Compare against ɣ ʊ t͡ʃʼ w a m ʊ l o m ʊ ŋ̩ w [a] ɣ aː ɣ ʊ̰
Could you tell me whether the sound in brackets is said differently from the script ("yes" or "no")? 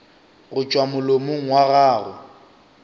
no